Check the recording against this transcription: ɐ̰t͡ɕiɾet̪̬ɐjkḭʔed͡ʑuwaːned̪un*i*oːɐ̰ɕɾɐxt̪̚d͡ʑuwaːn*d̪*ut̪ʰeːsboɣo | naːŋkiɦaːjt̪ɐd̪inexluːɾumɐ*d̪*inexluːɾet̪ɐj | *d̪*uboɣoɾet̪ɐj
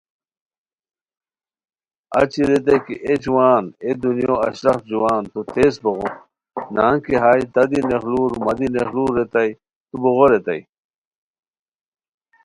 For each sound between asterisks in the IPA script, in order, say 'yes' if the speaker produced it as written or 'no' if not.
no, no, yes, no

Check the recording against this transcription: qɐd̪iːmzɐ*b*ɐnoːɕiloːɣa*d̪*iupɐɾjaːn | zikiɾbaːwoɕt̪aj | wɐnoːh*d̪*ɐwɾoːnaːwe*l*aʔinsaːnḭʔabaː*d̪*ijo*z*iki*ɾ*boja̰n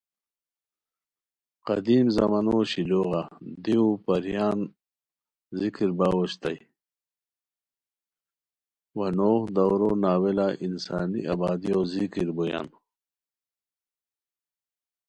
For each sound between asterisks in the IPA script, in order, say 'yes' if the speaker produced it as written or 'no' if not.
no, yes, yes, yes, yes, yes, yes

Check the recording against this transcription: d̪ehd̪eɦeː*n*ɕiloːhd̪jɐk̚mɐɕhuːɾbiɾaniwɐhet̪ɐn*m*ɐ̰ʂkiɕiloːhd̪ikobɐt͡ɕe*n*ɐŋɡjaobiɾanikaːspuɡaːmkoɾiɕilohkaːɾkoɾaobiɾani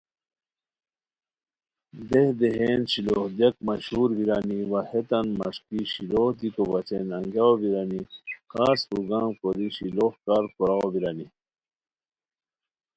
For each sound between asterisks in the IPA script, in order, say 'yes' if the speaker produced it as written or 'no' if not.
yes, yes, yes

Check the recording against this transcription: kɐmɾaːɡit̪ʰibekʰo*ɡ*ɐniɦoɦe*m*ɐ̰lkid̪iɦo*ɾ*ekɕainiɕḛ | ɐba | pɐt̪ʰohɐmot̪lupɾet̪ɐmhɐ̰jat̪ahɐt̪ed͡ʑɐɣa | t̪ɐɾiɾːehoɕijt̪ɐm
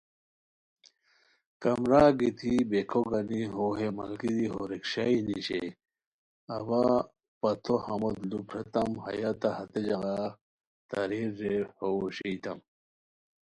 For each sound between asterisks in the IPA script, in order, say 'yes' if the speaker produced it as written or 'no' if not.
yes, yes, yes

